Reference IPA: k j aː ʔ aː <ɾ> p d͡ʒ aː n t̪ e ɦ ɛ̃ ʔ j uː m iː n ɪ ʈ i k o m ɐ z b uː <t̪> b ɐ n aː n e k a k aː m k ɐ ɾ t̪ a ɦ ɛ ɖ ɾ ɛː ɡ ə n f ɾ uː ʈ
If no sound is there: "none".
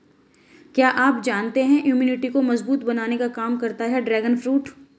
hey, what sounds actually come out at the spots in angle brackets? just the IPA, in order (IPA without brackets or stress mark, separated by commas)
none, t̪